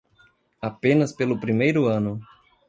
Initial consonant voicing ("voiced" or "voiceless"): voiceless